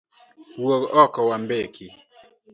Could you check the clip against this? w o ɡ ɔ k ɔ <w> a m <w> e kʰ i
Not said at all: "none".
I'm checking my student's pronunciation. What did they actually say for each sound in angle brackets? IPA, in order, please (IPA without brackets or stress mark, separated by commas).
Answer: w, b